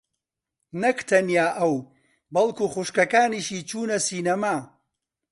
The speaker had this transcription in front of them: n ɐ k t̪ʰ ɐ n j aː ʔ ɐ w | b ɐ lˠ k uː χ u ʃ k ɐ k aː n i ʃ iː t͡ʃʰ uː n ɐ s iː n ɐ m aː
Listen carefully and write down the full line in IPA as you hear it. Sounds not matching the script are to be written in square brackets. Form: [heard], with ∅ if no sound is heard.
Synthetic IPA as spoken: n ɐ k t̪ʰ ɐ n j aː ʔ ɐ w | b ɐ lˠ k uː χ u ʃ k ɐ k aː n i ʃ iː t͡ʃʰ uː n ɐ s iː n ɐ m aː